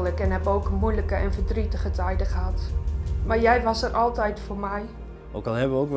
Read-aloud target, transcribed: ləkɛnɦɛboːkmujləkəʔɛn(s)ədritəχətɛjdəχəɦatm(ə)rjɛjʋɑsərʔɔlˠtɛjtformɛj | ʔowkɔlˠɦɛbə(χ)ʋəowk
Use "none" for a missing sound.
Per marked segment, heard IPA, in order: f, a, none

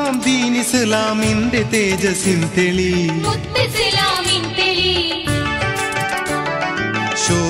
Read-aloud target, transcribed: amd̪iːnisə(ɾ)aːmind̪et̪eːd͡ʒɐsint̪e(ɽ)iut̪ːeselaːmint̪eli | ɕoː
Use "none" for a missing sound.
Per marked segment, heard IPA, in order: l, l

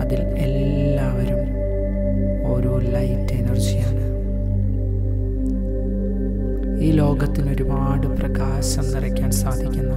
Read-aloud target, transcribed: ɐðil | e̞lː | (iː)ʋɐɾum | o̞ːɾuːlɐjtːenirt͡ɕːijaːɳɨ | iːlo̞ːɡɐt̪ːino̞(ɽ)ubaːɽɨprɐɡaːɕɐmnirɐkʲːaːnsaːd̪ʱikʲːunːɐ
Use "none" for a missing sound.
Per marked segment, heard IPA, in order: aː, ɾ

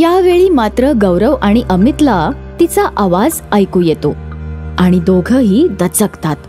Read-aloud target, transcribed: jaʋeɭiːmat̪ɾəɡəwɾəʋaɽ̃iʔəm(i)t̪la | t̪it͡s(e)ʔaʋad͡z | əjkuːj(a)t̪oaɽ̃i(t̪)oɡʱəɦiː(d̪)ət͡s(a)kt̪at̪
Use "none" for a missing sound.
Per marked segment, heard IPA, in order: i, a, e, d̪, d̪, ə

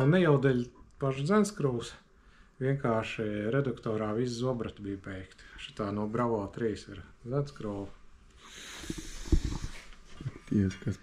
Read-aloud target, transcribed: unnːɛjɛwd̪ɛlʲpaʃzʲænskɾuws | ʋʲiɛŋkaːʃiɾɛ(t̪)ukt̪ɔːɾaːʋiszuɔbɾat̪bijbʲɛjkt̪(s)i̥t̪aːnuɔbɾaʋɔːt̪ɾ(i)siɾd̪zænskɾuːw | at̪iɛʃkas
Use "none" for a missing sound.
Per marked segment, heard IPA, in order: d̪, ʃ, iː

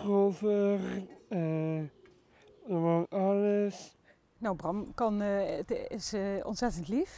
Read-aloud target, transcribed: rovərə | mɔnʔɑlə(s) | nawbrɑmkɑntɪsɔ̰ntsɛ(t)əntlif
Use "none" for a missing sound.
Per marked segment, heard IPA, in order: s, t

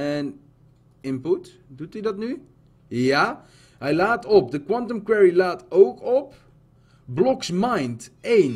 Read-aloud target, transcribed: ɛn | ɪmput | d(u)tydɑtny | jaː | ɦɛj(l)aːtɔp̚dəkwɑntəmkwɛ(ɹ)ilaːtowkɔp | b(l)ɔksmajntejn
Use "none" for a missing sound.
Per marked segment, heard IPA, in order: u, l, ɹ, l

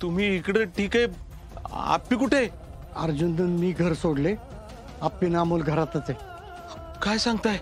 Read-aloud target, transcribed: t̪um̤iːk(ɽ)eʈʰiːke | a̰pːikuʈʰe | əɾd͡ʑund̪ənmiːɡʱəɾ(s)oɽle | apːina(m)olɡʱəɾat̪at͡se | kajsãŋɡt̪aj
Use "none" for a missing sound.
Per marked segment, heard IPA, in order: ɽ, s, m

